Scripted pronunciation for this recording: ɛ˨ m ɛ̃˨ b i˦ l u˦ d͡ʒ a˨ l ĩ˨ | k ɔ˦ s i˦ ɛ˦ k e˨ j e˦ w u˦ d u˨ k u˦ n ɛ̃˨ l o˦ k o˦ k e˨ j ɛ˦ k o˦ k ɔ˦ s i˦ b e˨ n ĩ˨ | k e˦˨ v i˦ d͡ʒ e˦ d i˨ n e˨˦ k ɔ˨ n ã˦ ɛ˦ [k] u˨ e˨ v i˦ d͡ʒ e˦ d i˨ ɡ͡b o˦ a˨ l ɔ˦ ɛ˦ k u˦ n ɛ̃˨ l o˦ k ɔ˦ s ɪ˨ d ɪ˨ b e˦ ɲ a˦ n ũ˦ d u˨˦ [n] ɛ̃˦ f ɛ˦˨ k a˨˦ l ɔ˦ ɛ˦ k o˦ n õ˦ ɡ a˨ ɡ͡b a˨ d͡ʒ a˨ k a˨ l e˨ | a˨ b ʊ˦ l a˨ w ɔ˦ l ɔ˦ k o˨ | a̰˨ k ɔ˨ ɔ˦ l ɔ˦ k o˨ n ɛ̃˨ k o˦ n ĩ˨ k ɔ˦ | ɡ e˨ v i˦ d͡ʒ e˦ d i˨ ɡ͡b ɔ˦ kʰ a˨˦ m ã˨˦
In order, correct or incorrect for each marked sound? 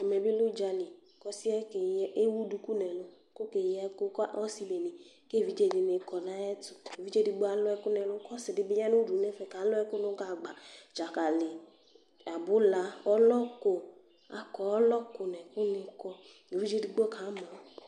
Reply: incorrect: t, correct

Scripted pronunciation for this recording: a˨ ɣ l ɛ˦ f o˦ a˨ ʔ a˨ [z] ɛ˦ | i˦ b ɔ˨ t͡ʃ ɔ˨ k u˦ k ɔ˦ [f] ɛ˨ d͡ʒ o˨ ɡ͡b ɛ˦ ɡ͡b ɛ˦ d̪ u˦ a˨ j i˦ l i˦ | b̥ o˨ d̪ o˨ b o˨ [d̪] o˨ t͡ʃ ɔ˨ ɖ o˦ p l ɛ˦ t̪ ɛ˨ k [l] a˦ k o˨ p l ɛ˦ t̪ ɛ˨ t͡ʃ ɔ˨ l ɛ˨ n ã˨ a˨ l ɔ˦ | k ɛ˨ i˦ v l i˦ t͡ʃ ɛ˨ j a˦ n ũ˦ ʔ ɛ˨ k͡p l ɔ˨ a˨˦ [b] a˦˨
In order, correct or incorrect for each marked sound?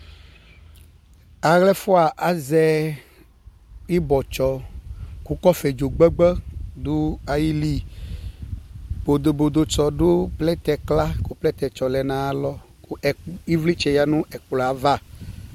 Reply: correct, correct, correct, correct, incorrect: v

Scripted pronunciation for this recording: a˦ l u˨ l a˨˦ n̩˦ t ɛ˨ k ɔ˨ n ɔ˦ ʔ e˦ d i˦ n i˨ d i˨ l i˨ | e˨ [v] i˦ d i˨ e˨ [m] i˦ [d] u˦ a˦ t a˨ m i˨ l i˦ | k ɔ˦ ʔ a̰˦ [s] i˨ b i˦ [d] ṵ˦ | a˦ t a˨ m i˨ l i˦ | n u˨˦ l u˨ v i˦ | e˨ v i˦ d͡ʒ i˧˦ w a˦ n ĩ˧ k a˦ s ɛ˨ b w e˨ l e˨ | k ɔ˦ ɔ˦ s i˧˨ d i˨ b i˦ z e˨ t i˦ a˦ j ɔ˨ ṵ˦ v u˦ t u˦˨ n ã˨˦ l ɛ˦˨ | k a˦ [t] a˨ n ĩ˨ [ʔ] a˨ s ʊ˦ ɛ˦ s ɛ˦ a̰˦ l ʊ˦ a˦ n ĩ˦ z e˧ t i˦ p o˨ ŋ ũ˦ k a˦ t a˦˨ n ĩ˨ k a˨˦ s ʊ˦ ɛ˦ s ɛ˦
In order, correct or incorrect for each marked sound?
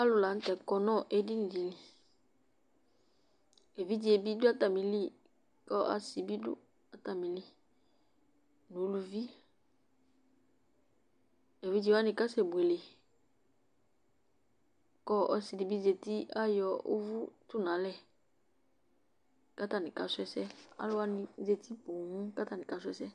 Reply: correct, incorrect: b, correct, correct, correct, correct, incorrect: k

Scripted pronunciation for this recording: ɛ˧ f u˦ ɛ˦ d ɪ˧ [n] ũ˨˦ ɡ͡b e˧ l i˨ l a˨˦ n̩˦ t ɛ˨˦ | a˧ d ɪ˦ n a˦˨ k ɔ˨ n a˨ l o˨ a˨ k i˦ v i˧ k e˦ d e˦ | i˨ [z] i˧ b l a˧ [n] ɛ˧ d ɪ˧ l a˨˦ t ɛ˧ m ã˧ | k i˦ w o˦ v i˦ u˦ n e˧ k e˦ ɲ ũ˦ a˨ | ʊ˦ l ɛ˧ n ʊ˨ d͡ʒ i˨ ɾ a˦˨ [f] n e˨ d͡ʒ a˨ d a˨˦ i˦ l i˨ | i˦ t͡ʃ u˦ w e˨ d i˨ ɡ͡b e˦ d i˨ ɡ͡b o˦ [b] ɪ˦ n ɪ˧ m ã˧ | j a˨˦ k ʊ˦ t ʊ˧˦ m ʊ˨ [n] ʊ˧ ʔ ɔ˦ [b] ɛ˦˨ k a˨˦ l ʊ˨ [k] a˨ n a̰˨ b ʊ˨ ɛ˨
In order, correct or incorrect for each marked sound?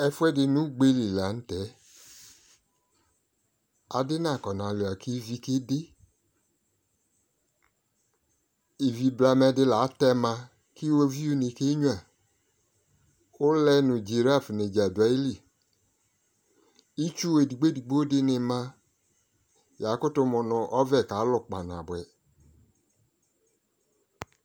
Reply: correct, incorrect: v, incorrect: m, correct, incorrect: d, correct, incorrect: v, incorrect: k͡p

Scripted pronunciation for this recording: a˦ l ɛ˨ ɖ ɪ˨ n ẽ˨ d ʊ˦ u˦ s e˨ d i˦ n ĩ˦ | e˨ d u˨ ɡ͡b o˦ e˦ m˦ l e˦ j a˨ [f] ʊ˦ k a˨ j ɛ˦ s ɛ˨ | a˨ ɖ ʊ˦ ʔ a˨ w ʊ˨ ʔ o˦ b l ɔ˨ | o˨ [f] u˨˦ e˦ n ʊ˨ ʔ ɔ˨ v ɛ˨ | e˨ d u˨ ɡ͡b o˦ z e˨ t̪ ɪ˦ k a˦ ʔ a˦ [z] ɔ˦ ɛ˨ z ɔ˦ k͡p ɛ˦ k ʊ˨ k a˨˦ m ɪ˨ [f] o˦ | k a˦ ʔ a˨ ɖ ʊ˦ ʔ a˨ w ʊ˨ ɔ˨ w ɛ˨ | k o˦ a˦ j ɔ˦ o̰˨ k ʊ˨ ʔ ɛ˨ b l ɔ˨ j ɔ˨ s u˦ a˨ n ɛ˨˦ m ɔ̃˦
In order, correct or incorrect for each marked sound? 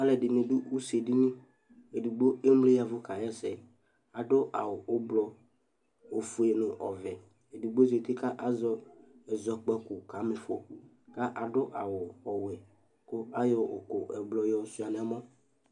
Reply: incorrect: v, correct, correct, correct

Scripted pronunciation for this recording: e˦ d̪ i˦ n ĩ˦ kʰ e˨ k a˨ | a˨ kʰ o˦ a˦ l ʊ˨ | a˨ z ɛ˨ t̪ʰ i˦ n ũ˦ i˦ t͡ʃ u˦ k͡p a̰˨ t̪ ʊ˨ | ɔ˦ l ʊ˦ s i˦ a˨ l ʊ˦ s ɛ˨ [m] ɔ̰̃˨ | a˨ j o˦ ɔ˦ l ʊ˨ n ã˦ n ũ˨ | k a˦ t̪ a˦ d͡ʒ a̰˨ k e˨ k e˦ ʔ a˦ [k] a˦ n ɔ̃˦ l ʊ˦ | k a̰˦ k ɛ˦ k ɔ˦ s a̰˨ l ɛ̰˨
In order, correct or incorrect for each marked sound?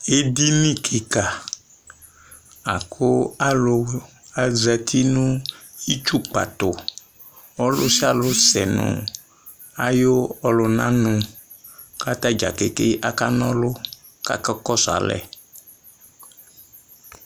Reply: incorrect: n, correct

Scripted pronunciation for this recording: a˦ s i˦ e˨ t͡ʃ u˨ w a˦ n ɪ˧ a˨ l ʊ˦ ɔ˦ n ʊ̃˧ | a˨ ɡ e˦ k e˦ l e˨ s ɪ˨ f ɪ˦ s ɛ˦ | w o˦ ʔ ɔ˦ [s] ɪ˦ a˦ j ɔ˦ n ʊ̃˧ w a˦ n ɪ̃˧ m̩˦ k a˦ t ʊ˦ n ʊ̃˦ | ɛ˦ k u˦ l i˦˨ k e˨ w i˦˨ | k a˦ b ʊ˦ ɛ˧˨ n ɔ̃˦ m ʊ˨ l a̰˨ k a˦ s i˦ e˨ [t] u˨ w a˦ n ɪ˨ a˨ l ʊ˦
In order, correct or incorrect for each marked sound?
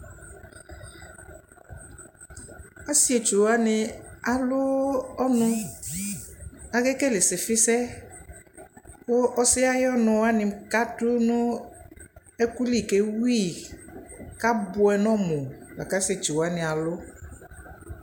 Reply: correct, incorrect: t͡ʃ

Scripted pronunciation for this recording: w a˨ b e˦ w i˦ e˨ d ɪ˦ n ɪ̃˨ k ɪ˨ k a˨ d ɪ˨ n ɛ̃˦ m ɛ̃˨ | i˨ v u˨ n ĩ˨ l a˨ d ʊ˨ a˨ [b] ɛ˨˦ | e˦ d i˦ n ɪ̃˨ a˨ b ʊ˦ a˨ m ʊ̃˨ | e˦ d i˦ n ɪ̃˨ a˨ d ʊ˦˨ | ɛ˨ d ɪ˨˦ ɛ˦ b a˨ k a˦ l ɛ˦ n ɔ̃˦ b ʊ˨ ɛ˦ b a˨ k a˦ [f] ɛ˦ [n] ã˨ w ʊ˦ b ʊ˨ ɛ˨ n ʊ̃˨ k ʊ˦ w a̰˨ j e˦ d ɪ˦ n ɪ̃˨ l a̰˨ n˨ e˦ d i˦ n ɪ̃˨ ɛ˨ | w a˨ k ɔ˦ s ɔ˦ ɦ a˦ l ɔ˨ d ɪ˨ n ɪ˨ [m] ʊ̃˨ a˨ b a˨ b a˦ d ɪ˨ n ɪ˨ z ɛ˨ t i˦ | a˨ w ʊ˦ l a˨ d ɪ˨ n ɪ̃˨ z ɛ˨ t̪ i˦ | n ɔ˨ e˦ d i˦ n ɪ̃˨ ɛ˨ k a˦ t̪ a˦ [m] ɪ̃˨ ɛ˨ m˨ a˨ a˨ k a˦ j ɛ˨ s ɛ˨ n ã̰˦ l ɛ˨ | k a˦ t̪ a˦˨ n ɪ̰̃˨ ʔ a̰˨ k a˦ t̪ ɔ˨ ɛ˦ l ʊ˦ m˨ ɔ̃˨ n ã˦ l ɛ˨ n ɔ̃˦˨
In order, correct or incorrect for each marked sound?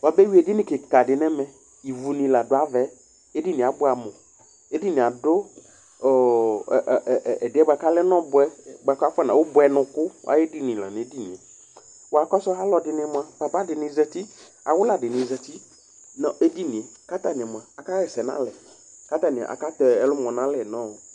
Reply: incorrect: v, correct, correct, correct, incorrect: n

